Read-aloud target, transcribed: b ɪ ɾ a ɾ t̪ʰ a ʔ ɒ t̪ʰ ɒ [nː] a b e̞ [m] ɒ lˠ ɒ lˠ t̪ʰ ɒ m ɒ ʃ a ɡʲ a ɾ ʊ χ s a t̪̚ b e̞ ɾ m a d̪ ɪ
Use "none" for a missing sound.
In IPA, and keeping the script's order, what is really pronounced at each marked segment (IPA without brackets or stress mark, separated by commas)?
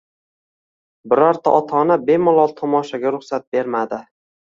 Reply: n, m